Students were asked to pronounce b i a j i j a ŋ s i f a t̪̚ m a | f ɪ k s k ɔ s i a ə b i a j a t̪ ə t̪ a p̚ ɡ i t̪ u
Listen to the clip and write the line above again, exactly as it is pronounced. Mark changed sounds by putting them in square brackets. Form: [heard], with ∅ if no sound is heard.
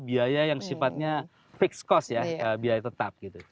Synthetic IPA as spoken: b i a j [a] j a ŋ s i f a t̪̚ [ɲ] a | f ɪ k s k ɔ s [j] a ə b i a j a t̪ ə t̪ a p̚ ɡ i t̪ u